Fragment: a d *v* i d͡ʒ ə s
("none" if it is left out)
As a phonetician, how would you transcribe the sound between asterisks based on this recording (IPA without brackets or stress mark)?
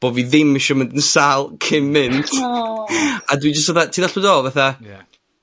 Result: w